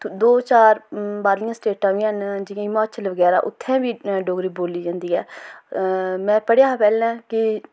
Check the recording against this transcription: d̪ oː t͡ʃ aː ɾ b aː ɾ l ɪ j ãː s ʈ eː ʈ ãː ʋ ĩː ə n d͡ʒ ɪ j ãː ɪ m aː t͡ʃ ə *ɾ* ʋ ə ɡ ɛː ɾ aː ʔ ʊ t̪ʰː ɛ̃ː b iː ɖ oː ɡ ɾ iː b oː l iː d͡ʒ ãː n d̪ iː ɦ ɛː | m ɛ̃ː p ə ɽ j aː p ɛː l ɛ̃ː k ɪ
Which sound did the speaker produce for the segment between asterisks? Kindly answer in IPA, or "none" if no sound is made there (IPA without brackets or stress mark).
l